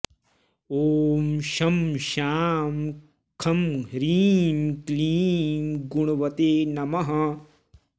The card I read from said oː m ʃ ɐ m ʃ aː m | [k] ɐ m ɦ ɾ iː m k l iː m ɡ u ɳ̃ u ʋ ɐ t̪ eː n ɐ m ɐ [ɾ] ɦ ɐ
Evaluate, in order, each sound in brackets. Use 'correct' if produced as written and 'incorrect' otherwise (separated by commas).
incorrect, incorrect